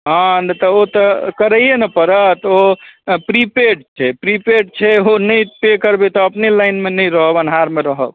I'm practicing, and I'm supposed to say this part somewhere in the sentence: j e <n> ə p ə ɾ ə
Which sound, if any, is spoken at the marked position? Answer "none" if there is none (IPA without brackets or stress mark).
n